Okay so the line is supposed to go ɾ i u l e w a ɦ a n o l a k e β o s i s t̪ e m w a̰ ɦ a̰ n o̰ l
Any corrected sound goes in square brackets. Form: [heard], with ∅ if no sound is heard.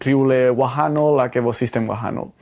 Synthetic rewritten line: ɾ i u l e w a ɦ a n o l a k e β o s i s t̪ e m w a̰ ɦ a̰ n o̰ l